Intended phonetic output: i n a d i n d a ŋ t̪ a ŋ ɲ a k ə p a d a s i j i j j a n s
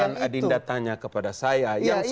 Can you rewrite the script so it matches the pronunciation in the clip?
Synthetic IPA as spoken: a n a d i n d a t̪ a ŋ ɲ a k ə p a d a s a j a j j a ŋ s